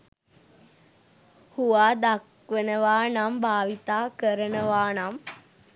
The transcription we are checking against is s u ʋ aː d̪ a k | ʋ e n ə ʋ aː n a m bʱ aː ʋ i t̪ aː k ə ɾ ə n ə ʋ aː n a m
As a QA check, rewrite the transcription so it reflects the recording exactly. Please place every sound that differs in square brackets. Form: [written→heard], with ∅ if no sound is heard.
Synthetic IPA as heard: [s→h] u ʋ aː d̪ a k | ʋ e n ə ʋ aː n a m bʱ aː ʋ i t̪ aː k ə ɾ ə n ə ʋ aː n a m